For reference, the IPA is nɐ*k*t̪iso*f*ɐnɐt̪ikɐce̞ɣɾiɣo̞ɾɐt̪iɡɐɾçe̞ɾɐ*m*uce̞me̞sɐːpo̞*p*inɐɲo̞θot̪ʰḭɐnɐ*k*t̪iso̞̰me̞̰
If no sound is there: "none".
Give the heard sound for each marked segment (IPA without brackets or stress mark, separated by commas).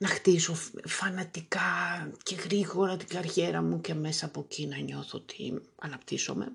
x, f, m, c, p